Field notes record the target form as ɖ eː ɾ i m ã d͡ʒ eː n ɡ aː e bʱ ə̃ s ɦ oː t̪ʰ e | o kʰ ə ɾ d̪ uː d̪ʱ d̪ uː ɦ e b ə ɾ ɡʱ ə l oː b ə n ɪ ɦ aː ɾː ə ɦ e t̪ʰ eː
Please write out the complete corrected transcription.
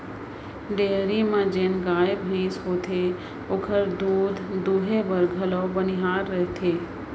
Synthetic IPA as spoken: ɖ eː ɾ i m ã d͡ʒ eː n ɡ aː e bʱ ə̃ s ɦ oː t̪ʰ e | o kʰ ə ɾ d̪ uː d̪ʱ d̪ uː ɦ e b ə ɾ ɡʱ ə l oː b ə n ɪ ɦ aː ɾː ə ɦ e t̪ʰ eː